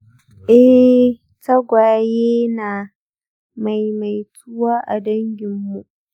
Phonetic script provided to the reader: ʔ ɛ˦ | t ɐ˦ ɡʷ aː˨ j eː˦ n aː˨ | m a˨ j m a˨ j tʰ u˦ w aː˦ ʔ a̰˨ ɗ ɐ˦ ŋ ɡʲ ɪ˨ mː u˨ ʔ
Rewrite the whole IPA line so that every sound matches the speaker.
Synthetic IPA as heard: ʔ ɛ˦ | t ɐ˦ ɡʷ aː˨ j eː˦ n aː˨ | m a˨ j m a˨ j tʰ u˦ w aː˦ ʔ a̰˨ d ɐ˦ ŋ ɡʲ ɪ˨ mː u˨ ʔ